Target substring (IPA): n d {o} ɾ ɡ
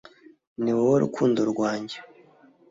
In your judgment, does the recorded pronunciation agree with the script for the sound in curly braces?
yes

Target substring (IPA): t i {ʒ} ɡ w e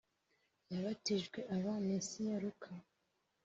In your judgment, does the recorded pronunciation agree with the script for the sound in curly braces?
yes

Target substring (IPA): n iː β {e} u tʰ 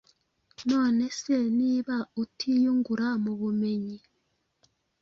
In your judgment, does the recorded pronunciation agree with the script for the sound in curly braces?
no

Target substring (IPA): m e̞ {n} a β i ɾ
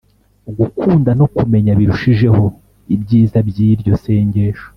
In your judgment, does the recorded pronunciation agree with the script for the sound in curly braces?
no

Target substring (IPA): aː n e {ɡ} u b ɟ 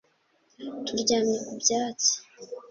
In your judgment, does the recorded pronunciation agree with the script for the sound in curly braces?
no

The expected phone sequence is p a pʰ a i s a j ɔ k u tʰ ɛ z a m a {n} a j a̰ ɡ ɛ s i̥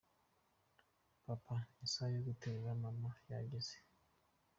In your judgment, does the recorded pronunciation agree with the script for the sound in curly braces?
no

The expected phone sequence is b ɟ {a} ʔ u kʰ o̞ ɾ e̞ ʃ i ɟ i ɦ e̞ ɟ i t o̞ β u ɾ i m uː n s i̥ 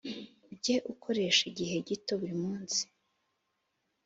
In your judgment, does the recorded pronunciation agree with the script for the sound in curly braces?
no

